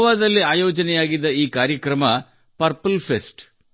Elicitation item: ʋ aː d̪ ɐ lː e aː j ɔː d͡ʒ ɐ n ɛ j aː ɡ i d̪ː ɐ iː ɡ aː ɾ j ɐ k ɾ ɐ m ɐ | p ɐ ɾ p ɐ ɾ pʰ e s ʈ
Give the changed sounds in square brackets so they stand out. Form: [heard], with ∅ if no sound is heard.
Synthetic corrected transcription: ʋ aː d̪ ɐ lː [i] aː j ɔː d͡ʒ ɐ n ɛ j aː ɡ i d̪ː ɐ iː [k] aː ɾ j ɐ k ɾ ɐ m ɐ | p ɐ ɾ p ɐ [l] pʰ e s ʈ